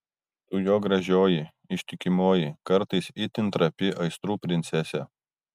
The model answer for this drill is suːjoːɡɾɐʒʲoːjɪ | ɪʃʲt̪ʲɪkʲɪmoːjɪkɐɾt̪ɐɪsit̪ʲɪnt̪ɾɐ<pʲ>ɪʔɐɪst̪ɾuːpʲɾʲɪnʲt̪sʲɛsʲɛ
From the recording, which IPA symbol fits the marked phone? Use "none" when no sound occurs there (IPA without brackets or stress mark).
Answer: pʲ